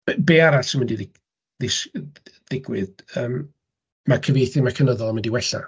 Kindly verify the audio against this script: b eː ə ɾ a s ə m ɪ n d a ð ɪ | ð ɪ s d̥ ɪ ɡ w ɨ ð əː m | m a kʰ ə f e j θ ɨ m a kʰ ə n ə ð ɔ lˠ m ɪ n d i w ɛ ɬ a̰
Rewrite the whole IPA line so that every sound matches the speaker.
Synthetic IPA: b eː a ɾ a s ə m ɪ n d i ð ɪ | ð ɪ s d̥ ɪ ɡ w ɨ ð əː m | m a kʰ ə v e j θ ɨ m a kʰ ə n ə ð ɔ lˠ m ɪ n d i w ɛ ɬ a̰

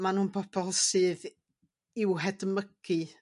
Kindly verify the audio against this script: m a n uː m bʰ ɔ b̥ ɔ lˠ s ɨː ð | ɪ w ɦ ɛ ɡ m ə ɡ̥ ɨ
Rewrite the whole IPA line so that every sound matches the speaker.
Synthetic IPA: m a n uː n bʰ ɔ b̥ ɔ lˠ s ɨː ð | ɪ w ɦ ɛ d m ə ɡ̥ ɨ

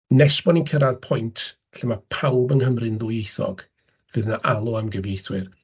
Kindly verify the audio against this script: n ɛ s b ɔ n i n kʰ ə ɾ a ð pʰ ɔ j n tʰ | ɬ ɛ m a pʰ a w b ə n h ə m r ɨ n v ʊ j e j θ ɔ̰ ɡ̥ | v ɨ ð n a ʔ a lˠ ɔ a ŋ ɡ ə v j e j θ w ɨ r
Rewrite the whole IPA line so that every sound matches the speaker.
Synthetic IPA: n ɛ s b ɔ n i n kʰ ə ɾ a ð pʰ ɔ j n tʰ | ɬ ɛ m a pʰ a w b ə n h ə m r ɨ n ð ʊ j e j θ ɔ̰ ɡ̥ | v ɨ ð n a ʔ a lˠ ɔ a m ɡ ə v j e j θ w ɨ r

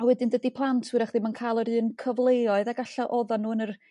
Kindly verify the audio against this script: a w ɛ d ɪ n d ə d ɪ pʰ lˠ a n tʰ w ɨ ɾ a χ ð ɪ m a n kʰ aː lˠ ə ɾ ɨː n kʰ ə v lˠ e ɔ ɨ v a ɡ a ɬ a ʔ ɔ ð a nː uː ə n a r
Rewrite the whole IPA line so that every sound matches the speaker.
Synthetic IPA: a w ɛ d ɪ n d ə d i pʰ lˠ a n tʰ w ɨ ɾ a χ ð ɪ m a n kʰ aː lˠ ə ɾ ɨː n kʰ ə v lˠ e ɔ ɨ ð a ɡ a ɬ a ʔ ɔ ð a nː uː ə n ə r

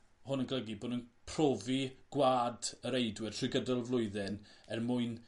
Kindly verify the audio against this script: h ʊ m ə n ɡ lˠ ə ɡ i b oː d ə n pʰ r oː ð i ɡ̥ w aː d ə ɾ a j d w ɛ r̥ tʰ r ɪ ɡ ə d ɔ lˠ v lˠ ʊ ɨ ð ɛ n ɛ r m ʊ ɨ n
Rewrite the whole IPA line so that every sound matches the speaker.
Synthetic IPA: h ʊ n ə n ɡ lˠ ə ɡ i b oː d ə n pʰ r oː v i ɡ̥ w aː d ə ɾ e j d w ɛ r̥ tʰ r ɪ ɡ ə d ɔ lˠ v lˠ ʊ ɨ ð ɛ n ɛ r m ʊ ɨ n

